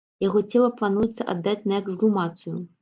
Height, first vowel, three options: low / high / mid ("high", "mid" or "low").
low